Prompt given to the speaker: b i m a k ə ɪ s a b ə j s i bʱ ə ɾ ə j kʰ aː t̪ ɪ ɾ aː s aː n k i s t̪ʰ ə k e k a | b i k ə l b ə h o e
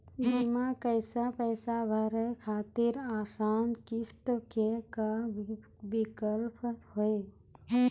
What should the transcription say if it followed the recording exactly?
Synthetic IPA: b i m a k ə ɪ s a p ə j s a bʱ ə ɾ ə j kʰ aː t̪ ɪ ɾ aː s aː n k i s t̪ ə k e k a | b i k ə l p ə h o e

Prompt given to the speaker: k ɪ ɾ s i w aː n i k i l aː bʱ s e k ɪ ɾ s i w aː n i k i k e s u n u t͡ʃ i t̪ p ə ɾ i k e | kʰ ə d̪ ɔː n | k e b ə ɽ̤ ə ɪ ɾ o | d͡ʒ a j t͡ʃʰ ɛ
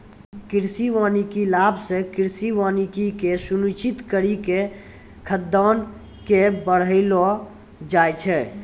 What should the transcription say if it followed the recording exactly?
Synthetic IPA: k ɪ ɾ s i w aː n i k i l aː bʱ s e k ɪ ɾ s i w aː n i k i k e s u n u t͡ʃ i t̪ k ə ɾ i k e | kʰ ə d̪ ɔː n | k e b ə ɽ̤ ə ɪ l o | d͡ʒ a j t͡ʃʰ ɛ

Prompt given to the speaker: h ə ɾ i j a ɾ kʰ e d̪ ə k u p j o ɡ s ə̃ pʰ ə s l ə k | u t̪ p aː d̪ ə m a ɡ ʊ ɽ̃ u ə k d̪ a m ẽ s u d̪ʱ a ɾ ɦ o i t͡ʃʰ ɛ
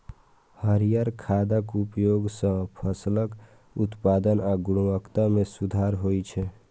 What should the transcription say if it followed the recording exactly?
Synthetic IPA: h ə ɾ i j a ɾ kʰ a d̪ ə k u p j o ɡ s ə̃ pʰ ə s l ə k | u t̪ p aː d̪ ə n a ɡ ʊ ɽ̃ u ə k t̪ a m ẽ s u d̪ʱ a ɾ ɦ o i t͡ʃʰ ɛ

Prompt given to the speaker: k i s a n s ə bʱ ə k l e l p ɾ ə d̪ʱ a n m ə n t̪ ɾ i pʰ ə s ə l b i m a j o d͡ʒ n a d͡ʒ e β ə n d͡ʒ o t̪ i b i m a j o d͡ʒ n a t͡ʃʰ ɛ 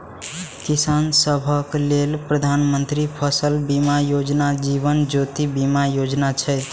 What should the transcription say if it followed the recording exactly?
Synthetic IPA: k i s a n s ə bʱ ə k l e l p ɾ ə d̪ʱ a n m ə n t̪ ɾ i pʰ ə s ə l b i m a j o d͡ʒ n a d͡ʒ i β ə n d͡ʒ o t̪ i b i m a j o d͡ʒ n a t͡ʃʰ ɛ

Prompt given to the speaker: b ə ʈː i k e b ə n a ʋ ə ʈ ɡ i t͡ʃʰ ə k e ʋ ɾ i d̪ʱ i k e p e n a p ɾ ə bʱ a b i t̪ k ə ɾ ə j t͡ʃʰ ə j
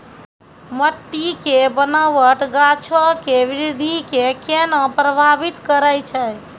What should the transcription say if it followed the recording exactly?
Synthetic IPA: m ə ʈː i k e b ə n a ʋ ə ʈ ɡ a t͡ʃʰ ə k e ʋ ɾ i d̪ʱ i k e k e n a p ɾ ə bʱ a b i t̪ k ə ɾ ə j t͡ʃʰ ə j

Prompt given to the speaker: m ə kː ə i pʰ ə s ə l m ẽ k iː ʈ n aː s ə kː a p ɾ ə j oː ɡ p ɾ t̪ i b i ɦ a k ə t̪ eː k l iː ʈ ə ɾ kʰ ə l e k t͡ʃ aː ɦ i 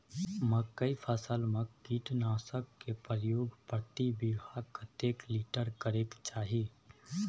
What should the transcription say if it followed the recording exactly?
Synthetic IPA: m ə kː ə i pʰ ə s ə l m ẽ k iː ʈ n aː s ə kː e p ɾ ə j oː ɡ p ɾ t̪ i b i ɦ a k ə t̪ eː k l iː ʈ ə ɾ k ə ɾ e k t͡ʃ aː ɦ i

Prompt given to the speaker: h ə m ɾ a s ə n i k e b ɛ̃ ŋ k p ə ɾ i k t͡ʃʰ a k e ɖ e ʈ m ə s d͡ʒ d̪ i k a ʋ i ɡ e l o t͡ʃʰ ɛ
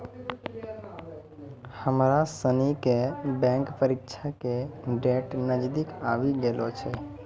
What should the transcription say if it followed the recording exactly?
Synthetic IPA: h ə m ɾ a s ə n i k e b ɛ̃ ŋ k p ə ɾ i k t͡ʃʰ a k e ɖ e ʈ n ə d͡ʒ d̪ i k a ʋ i ɡ e l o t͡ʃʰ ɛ

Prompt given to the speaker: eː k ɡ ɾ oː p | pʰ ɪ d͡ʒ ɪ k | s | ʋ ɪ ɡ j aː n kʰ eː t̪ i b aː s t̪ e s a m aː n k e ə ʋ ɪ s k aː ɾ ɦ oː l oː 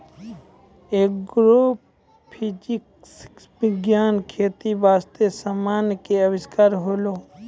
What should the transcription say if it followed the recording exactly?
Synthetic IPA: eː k ɡ ɾ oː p | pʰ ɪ d͡ʒ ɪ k | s | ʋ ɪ ɡ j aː n kʰ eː t̪ i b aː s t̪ e s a m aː n k e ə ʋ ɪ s k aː ɾ ɦ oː l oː

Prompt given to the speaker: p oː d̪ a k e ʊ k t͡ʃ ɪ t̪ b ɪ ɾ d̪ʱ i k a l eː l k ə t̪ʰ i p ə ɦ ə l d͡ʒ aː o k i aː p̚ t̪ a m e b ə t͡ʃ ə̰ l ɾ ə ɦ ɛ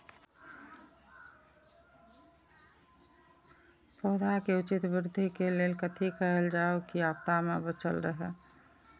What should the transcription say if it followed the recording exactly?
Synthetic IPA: p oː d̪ a k e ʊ t͡ʃ ɪ t̪ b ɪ ɾ d̪ʱ i k e l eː l k ə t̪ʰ i k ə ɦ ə l d͡ʒ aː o k i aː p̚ t̪ a m e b ə t͡ʃ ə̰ l ɾ ə ɦ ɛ

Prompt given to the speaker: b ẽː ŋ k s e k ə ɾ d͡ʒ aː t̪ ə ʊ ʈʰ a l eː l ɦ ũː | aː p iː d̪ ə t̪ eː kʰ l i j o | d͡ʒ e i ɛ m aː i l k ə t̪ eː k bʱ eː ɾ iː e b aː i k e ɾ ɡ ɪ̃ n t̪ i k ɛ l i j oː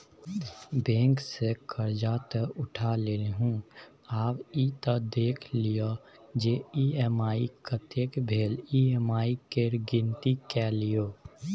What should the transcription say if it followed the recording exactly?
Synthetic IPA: b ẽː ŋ k s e k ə ɾ d͡ʒ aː t̪ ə ʊ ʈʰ a l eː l ɦ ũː | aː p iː t̪ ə d̪ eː kʰ l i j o | d͡ʒ e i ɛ m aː i k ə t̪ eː k bʱ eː l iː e m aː i k e ɾ ɡ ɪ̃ n t̪ i k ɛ l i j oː

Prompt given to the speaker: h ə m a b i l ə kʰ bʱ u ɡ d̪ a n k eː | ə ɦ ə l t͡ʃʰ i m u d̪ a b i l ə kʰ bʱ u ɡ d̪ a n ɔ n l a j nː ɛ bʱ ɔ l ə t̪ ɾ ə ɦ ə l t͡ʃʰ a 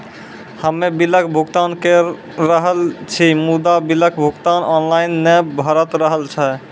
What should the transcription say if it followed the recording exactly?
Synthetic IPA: h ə m e b i l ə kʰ bʱ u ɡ t̪ a n k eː | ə ɦ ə l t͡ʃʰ i m u d̪ a b i l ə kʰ bʱ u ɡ t̪ a n ɔ n l a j nː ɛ bʱ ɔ ɾ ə t̪ ɾ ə ɦ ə l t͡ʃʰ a

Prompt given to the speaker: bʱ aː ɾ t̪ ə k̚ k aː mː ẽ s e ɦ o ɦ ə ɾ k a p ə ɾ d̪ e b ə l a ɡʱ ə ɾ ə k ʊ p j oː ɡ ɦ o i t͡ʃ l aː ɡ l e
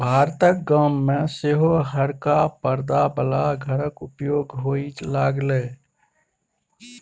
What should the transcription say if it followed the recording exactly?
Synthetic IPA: bʱ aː ɾ t̪ ə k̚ ɡ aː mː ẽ s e ɦ o ɦ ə ɾ k a p ə ɾ d̪ a b ə l a ɡʱ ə ɾ ə k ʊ p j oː ɡ ɦ o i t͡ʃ l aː ɡ l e

